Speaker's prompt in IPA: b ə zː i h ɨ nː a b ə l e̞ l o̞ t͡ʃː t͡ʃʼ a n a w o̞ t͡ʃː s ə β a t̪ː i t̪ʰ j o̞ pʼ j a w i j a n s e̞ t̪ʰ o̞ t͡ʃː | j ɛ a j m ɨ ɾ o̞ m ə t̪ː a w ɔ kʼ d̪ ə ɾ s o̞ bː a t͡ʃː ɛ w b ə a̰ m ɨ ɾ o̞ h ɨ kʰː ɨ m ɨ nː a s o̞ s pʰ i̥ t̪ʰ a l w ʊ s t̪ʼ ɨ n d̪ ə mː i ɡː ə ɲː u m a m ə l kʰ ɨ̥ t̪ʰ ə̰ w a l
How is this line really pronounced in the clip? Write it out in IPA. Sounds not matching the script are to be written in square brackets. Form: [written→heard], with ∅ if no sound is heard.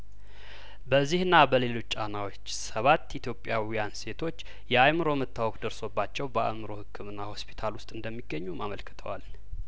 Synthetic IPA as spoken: b ə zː i h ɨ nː a b ə l e̞ l o̞ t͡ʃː t͡ʃʼ a n a w o̞ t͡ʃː s ə β a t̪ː i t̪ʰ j o̞ pʼ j a w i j a n s e̞ t̪ʰ o̞ t͡ʃː | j ɛ a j m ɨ ɾ o̞ m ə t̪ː a w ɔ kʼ d̪ ə ɾ s o̞ bː a t͡ʃː ɛ w b ə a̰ m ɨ ɾ o̞ h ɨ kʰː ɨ m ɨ nː a [s→h] o̞ s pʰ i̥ t̪ʰ a l w ʊ s t̪ʼ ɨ n d̪ ə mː i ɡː ə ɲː u m a m ə l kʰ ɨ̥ t̪ʰ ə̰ w a l